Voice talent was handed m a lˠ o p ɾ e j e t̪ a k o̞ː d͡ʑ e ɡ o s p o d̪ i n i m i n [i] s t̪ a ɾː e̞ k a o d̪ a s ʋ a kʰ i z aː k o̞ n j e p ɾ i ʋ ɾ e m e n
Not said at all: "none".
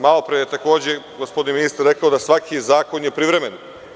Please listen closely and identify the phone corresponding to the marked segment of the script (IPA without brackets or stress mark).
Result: i